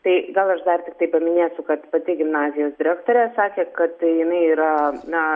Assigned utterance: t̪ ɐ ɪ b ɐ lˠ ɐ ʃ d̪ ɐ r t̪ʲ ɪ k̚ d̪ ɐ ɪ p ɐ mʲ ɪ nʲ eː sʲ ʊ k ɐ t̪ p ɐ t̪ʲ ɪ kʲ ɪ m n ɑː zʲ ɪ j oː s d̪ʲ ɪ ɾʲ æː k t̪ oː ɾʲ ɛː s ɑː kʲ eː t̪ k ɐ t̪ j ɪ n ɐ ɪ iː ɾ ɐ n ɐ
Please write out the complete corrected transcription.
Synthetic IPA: t̪ ɐ ɪ ɡ ɐ lˠ ɐ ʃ d̪ ɐ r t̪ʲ ɪ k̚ t̪ ɐ ɪ p ɐ mʲ ɪ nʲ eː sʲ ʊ k ɐ t̪ p ɐ t̪ʲ ɪ ɡʲ ɪ m n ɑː zʲ ɪ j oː s d̪ʲ ɪ ɾʲ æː k t̪ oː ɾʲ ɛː s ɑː kʲ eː k ɐ t̪ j ɪ n ɐ ɪ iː ɾ ɐ n ɐ